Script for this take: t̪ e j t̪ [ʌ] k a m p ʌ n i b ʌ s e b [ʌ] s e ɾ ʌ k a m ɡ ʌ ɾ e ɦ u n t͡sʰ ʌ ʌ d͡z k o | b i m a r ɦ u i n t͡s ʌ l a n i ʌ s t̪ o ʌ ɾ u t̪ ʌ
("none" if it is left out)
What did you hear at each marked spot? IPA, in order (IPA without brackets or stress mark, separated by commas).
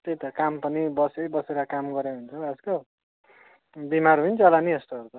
ʌ, ʌ